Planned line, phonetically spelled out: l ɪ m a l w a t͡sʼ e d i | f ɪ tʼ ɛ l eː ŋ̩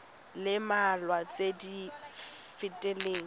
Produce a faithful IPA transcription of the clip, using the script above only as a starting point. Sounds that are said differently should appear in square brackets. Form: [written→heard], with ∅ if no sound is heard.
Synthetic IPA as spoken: l ɪ m a l w a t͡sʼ e d i | f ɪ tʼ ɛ l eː ŋ̩